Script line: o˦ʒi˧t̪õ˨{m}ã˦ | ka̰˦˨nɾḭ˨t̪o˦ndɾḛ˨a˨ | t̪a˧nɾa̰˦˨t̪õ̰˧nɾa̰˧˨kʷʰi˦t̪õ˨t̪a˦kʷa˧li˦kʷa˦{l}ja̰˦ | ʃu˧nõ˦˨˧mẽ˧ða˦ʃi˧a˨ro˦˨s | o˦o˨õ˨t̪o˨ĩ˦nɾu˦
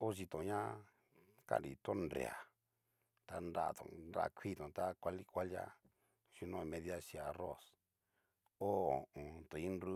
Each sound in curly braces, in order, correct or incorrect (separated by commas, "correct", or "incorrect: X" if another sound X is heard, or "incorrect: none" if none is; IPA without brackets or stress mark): incorrect: ɲ, correct